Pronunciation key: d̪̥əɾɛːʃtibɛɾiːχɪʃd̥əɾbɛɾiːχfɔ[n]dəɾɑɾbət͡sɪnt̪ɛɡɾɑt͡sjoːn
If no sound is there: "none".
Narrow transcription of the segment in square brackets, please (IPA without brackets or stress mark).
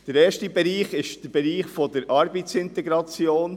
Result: none